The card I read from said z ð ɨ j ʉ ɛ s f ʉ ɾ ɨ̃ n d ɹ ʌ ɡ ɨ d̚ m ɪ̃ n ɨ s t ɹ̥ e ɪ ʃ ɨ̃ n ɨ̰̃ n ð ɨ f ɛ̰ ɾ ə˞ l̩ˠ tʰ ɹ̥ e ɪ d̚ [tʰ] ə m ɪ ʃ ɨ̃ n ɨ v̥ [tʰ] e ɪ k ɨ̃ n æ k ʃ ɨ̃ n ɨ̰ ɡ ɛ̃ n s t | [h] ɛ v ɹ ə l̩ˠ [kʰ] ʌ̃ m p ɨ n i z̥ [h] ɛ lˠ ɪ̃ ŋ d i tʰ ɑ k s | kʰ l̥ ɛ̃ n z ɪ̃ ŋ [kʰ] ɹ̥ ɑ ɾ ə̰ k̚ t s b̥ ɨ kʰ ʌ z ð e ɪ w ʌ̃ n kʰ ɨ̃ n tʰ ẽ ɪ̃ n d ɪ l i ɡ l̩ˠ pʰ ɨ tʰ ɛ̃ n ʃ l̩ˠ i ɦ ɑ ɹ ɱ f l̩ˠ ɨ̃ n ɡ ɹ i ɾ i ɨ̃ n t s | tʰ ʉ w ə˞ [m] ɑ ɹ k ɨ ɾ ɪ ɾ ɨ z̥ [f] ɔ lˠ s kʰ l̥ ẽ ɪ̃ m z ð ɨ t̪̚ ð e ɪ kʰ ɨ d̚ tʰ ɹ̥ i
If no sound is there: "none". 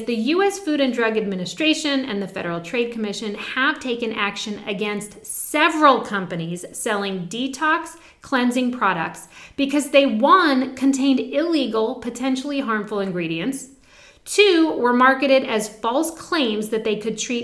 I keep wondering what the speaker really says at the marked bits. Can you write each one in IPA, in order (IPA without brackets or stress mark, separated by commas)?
kʰ, tʰ, s, kʰ, s, pʰ, m, f